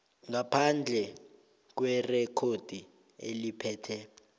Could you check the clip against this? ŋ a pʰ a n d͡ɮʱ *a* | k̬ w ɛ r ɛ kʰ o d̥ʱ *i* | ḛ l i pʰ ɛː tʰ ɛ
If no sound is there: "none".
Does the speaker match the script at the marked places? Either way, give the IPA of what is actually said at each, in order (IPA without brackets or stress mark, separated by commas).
ɛ, i